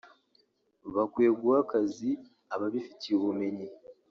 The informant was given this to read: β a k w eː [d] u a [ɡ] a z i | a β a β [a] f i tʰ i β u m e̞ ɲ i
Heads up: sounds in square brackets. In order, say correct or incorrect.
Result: incorrect: ɡ, incorrect: k, incorrect: i

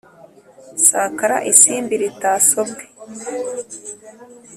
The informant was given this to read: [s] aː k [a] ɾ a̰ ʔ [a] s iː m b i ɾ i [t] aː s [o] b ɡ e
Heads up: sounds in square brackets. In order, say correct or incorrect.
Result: correct, correct, incorrect: i, correct, correct

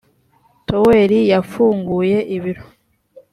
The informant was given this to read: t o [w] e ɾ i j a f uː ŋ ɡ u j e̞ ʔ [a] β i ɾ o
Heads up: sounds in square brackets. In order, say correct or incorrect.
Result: correct, incorrect: i

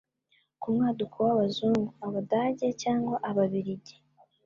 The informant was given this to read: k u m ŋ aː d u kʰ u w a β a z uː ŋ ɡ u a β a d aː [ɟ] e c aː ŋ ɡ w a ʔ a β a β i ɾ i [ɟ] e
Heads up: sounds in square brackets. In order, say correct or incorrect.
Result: correct, correct

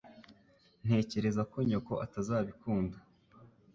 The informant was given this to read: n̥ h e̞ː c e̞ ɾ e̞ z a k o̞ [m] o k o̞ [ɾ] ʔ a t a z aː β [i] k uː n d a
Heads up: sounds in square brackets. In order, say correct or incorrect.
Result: incorrect: ɲ, incorrect: none, correct

